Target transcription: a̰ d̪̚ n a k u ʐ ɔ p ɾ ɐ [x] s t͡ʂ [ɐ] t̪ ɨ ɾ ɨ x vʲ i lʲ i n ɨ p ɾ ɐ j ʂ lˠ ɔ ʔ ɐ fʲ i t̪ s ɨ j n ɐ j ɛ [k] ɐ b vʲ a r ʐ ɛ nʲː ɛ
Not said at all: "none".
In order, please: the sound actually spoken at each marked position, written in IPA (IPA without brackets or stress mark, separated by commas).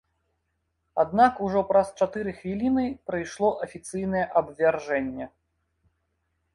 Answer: none, a, ʔ